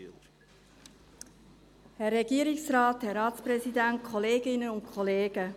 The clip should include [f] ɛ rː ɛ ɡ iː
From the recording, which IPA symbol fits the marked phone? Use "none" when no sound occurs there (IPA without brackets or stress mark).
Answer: h